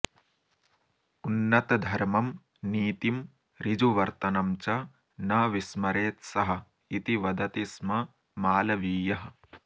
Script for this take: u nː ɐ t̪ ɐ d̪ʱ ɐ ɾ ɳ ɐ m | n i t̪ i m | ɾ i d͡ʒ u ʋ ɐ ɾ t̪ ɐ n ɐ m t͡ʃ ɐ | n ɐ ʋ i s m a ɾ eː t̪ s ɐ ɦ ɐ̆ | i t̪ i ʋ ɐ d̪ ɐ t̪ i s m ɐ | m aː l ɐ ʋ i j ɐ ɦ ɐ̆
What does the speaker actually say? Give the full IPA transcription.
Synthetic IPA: u nː ɐ t̪ ɐ d̪ʱ ɐ ɾ m ɐ m | n iː t̪ i m | ɾ i d͡ʒ u ʋ ɐ ɾ t̪ ɐ n ɐ m t͡ʃ ɐ | n ɐ ʋ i s m ɐ ɾ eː t̪ s ɐ ɦ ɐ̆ | i t̪ i ʋ ɐ d̪ ɐ t̪ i s m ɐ | m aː l ɐ ʋ iː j ɐ ɦ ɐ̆